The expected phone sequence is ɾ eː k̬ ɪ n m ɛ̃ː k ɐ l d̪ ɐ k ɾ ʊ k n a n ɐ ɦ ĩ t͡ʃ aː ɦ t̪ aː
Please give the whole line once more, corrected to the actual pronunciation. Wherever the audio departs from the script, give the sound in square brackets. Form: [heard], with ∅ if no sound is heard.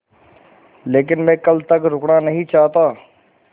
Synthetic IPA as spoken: [l] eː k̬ ɪ n m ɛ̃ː k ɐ l [t̪] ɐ k ɾ ʊ k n a n ɐ ɦ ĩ t͡ʃ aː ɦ t̪ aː